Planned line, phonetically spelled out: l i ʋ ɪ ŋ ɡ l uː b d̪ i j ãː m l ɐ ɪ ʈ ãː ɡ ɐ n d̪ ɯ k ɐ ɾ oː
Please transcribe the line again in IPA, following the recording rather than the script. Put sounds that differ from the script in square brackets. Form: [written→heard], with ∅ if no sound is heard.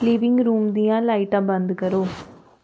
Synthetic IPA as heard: l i ʋ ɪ ŋ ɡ [l→ɾ] uː [b→m] d̪ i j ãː [m→∅] l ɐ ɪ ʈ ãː [ɡ→b] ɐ n d̪ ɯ k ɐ ɾ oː